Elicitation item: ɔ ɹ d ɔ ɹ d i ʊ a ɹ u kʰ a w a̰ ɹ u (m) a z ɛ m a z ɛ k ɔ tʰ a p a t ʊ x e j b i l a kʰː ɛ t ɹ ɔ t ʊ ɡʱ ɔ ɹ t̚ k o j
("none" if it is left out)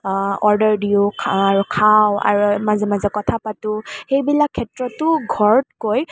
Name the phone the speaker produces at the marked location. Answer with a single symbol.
m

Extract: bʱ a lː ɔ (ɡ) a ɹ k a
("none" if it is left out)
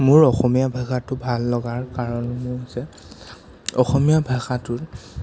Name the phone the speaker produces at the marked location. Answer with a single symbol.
ɡ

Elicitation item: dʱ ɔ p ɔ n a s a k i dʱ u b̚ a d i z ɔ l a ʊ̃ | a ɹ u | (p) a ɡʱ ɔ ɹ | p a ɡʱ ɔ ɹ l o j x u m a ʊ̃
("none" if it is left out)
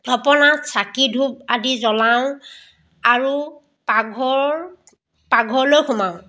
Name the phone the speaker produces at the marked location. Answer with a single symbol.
p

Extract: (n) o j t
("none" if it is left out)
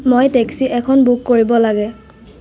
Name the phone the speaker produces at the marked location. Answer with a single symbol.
m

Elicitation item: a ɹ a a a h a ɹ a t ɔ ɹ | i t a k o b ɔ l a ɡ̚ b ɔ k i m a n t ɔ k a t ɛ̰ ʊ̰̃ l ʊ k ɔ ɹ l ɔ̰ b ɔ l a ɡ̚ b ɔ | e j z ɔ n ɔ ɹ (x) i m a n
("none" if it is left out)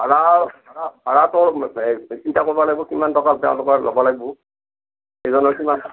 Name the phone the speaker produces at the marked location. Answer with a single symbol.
k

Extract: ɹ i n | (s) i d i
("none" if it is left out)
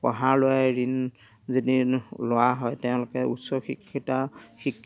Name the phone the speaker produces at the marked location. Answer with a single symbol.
z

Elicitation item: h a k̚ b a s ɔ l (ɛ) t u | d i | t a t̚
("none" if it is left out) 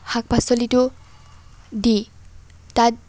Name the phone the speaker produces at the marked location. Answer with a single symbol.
i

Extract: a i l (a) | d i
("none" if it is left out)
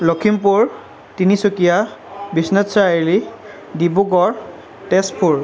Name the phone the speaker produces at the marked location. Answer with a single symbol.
i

